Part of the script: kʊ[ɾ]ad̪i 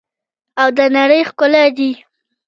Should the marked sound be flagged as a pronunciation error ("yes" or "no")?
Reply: yes